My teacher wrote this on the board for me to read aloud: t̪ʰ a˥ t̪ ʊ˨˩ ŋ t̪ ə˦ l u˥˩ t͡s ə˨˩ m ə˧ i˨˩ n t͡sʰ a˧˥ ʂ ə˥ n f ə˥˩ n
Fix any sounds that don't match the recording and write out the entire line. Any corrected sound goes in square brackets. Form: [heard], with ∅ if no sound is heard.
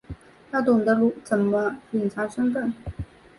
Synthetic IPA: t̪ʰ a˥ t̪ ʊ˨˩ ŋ [d̪] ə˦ l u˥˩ t͡s ə˨˩ m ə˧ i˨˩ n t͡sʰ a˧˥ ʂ ə˥ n f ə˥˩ n